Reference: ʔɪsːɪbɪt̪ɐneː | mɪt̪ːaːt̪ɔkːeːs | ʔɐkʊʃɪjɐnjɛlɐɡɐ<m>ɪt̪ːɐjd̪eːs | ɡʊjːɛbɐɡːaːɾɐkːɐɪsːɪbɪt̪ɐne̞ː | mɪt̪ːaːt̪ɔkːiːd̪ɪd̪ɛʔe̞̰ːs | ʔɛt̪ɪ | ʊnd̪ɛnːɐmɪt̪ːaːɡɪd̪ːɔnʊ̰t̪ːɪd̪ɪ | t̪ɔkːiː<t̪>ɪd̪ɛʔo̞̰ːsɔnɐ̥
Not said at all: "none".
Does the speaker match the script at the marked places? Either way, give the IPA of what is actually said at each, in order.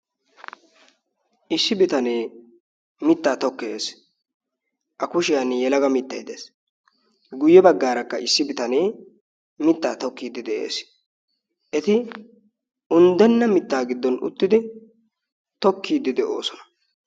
m, d̪

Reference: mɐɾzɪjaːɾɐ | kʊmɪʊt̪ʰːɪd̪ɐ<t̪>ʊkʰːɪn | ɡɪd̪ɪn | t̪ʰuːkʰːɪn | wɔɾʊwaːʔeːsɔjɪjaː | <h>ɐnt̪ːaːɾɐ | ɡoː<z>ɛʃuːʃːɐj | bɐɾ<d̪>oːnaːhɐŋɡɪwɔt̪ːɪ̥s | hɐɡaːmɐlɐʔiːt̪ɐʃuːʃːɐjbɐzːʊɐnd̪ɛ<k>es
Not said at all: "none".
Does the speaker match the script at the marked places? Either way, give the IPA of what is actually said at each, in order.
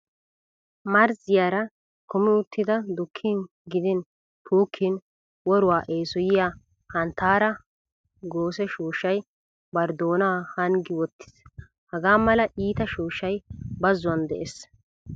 d̪, h, s, d̪, ʔ

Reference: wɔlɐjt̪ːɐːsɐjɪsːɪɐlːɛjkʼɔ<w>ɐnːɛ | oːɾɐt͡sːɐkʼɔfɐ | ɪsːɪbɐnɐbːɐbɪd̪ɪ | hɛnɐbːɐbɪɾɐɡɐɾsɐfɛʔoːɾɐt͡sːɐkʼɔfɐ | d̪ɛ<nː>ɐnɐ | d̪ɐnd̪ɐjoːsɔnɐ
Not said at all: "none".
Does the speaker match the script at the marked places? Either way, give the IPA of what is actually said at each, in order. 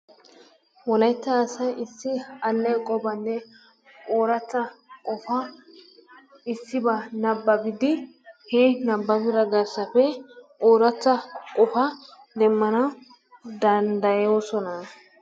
b, mː

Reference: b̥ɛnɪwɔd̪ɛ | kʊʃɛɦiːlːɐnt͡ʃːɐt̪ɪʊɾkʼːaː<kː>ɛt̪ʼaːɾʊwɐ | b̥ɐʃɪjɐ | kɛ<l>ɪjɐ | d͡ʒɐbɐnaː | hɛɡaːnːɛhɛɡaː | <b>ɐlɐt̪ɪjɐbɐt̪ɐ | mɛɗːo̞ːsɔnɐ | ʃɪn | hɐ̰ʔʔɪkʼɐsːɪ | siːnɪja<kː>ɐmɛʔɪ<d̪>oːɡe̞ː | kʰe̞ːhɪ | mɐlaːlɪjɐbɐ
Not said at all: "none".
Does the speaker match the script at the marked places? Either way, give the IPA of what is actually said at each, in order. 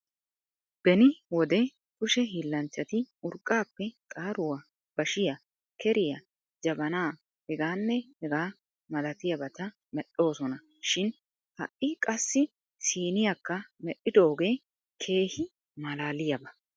pː, ɾ, m, kː, d̪

